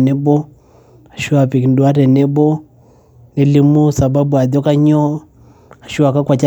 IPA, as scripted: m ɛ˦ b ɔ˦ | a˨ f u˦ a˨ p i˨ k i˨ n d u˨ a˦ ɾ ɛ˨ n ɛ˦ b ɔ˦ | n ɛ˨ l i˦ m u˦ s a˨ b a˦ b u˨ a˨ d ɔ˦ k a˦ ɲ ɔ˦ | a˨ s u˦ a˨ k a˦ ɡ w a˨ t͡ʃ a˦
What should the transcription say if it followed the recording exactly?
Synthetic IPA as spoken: n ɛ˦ b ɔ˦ | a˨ ʃ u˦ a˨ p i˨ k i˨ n d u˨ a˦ ɾ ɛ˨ n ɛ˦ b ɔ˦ | n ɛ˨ l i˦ m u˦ s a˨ b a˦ b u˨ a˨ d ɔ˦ k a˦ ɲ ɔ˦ | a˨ ʃ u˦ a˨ k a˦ k w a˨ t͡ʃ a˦